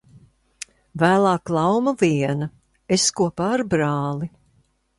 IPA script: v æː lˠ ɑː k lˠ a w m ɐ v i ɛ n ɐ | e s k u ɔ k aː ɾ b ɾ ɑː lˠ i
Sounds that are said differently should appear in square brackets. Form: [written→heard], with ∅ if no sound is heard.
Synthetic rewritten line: v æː lˠ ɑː k lˠ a w m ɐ v i ɛ n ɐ | e s k u ɔ [k→p] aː ɾ b ɾ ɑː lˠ i